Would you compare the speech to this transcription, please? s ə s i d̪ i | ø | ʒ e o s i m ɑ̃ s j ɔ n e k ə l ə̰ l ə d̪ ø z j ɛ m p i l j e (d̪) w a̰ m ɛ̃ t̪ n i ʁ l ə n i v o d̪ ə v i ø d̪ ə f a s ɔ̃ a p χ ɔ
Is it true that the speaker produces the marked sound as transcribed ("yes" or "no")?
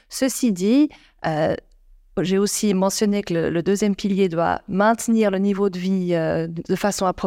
yes